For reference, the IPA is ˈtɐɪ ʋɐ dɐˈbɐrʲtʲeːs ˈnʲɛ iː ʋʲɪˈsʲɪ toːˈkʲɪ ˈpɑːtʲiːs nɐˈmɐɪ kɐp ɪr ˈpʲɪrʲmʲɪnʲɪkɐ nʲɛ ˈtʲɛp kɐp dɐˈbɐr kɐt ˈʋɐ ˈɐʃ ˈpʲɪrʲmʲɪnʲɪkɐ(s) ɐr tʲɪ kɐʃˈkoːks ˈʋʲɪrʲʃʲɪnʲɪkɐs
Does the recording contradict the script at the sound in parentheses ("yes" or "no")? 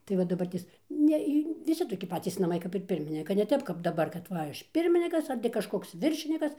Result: no